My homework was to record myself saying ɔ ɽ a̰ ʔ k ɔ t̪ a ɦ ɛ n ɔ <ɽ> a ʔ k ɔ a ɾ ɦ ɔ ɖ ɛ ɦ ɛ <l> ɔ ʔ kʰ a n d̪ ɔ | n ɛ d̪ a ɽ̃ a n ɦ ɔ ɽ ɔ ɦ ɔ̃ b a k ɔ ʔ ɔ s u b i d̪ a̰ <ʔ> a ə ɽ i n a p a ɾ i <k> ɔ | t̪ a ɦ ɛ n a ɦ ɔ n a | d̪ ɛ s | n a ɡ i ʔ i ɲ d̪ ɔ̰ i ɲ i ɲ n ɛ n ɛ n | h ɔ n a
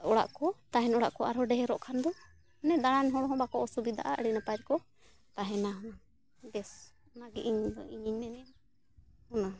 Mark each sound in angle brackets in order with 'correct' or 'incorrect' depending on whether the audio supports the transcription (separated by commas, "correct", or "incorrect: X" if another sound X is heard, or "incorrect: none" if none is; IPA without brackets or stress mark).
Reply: correct, incorrect: ɾ, correct, correct